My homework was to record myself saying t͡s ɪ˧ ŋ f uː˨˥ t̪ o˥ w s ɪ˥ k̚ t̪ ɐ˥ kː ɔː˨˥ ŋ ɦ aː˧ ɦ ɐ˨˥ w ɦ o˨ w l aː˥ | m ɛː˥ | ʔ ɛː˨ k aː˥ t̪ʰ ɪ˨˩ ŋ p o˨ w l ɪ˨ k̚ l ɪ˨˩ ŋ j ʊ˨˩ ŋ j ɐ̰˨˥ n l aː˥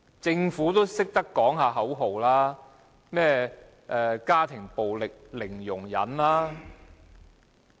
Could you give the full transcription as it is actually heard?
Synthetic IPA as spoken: t͡s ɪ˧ ŋ f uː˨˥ t̪ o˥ w s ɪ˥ k̚ t̪ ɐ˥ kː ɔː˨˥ ŋ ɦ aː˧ ɦ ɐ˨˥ w ɦ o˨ w l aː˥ | m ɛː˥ | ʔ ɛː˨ k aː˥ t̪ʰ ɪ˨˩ ŋ p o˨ w l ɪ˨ k̚ l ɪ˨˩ ŋ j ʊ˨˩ ŋ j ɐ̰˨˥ n l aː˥